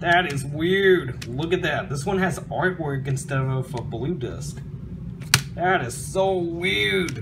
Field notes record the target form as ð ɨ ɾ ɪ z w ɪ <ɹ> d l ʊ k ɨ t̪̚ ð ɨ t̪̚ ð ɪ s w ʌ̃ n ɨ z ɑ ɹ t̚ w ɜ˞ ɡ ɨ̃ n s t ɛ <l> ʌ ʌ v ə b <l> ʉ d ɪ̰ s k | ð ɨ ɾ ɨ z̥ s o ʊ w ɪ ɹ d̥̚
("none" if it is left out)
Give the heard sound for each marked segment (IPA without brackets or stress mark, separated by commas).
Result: ɹ, ɾ, l